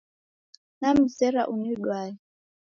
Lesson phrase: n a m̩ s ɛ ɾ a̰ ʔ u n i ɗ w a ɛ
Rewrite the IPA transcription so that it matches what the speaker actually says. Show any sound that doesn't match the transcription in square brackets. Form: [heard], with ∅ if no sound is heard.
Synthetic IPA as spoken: n a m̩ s ɛ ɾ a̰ ʔ u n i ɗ w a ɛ